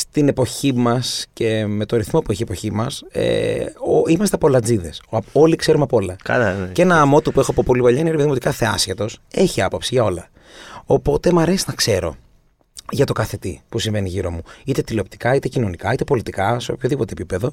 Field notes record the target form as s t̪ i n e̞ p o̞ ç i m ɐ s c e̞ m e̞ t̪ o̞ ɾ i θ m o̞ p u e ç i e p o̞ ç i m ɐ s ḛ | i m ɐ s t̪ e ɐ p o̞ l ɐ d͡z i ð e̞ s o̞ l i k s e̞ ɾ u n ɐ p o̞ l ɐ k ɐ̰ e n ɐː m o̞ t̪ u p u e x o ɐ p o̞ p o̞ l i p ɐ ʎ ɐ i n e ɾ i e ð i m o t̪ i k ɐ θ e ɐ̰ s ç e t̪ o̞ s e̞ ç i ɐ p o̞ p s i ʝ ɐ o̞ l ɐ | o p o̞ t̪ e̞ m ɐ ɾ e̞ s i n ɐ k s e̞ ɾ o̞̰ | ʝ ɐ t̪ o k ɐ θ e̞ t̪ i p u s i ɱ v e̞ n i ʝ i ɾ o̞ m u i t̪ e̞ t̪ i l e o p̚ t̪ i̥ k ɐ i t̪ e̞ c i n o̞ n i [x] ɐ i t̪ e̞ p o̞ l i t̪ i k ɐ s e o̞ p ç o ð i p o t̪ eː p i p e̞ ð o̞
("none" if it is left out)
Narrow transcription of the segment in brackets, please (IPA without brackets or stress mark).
k